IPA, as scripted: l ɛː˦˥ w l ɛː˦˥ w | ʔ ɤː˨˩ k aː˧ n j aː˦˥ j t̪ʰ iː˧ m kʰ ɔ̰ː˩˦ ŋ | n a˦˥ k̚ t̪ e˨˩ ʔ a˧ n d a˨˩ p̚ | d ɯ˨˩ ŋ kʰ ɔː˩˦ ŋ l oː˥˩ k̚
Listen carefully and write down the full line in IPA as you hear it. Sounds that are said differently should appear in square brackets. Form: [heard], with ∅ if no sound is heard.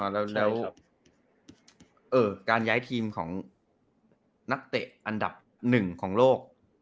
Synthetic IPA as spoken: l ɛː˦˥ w l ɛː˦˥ w | ʔ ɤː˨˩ k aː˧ n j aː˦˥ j t̪ʰ iː˧ m kʰ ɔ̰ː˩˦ ŋ | n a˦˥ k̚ t̪ e˨˩ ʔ a˧ n d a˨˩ p̚ | [n] ɯ˨˩ ŋ kʰ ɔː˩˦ ŋ l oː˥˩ k̚